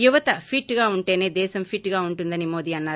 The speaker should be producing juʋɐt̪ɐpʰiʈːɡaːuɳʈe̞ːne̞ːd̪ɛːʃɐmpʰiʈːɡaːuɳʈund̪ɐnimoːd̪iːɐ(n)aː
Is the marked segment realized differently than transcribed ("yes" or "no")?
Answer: yes